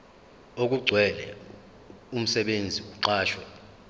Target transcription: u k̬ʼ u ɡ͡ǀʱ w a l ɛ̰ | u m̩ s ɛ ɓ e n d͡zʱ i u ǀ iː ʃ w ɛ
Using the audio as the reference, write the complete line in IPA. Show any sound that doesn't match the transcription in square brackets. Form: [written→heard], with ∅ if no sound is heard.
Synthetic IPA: [u→o] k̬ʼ u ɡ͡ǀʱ w [a→ɛ] l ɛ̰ | u m̩ s ɛ ɓ e n d͡zʱ i u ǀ [iː→aː] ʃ w ɛ